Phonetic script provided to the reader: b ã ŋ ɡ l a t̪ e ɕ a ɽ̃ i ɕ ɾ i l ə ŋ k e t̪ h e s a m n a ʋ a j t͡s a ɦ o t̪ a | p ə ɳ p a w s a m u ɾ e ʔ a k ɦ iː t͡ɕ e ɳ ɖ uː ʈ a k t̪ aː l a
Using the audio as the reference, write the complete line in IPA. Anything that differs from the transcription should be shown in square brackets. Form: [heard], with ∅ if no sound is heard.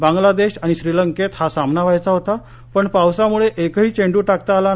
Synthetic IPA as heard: b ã ŋ ɡ l a [d̪] e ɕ a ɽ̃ i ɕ ɾ i l ə ŋ k e t̪ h [a] s a m n a ʋ a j t͡s a ɦ o t̪ a | p ə ɳ p a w s a m u [ɭ] e ʔ [e] k ɦ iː t͡ɕ e ɳ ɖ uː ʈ a k t̪ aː l a